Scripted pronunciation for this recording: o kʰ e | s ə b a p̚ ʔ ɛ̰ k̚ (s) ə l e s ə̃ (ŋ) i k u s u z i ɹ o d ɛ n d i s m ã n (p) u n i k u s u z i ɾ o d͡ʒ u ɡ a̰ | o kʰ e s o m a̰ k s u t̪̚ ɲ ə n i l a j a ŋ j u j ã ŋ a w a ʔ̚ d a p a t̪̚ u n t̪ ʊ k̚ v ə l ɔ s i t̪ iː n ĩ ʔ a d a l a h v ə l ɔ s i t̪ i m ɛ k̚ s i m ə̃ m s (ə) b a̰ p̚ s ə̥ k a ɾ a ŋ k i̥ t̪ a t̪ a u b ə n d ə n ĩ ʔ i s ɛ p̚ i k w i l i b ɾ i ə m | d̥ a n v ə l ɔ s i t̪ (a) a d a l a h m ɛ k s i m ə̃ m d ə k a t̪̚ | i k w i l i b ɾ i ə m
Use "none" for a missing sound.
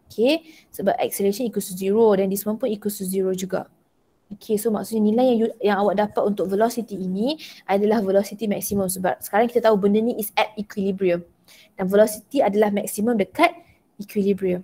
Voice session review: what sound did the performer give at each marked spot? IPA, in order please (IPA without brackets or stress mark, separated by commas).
s, n, p, ə, i